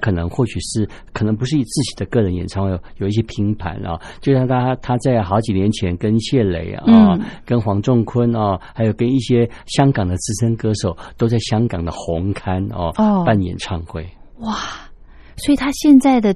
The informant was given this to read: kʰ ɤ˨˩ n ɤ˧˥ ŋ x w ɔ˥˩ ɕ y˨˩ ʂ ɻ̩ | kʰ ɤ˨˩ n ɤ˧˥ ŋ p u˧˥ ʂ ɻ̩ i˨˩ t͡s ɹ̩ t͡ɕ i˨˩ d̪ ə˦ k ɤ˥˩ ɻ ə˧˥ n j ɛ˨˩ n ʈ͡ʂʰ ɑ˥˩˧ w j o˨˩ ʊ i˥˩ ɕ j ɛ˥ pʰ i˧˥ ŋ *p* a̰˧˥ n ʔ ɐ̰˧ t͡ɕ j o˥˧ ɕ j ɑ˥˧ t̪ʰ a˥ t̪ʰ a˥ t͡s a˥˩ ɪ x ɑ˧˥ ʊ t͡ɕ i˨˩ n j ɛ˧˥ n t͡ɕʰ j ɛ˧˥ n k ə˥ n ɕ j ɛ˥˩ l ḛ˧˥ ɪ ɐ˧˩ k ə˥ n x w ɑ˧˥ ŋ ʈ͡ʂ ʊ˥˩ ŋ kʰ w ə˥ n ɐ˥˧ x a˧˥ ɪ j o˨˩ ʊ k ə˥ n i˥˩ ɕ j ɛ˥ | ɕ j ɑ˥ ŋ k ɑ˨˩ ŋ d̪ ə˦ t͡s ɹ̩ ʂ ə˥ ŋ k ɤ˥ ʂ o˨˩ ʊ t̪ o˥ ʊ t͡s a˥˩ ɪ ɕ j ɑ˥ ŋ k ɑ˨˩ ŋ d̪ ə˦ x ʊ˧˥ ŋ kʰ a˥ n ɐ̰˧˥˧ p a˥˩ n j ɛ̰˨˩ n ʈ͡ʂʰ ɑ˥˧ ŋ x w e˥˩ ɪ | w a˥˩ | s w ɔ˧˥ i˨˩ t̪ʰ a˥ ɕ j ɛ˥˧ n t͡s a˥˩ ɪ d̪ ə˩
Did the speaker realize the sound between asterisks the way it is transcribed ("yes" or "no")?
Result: no